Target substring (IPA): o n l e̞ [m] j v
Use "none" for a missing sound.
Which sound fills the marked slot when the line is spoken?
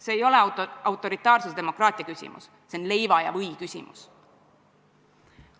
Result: none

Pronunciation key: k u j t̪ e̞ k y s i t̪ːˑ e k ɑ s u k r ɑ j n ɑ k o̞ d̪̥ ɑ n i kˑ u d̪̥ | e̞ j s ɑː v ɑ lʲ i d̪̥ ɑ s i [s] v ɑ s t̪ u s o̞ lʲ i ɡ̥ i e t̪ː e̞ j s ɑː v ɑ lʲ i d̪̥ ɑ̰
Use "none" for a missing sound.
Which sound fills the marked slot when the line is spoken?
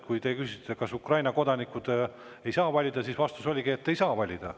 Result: s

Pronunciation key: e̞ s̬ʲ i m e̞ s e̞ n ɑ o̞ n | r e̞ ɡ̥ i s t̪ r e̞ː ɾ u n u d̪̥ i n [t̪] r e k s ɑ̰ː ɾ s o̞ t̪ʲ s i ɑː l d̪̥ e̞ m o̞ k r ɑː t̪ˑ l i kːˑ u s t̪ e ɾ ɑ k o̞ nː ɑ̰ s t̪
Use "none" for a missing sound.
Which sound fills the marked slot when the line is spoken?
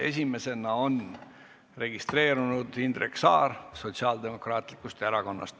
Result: d̪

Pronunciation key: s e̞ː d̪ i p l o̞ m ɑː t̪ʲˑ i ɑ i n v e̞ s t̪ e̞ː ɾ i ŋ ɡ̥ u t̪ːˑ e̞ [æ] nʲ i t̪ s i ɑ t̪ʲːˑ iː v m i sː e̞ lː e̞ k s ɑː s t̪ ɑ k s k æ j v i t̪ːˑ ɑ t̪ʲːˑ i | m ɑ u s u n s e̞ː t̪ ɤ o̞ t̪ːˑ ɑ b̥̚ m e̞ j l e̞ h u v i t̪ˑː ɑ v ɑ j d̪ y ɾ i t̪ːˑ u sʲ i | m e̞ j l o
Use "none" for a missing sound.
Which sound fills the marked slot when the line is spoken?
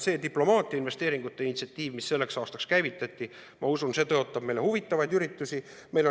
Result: i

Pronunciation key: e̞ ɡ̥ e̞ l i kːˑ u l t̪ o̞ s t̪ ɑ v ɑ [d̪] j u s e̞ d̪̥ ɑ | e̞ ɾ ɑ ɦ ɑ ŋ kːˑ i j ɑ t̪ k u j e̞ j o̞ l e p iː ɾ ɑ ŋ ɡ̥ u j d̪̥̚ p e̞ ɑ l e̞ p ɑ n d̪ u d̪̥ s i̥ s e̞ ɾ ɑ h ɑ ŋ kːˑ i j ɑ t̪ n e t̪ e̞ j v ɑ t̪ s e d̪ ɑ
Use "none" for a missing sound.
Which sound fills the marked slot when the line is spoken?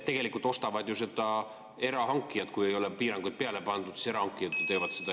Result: d̪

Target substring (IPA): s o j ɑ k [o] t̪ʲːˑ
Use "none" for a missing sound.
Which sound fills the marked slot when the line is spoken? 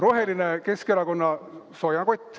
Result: o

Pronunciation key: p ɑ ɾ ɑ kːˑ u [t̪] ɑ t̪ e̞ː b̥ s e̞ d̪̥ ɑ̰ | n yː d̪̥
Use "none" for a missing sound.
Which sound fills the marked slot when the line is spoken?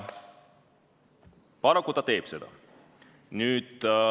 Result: t̪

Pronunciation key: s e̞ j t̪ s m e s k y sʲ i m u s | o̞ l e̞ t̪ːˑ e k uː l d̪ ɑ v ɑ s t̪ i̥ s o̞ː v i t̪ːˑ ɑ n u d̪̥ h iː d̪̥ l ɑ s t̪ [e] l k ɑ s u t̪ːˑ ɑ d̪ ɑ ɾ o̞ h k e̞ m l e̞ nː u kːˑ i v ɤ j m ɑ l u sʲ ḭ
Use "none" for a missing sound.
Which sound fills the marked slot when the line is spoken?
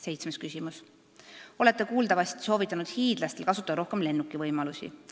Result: e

